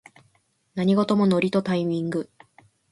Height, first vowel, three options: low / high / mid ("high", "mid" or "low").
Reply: low